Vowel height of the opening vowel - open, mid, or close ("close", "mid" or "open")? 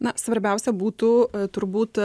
open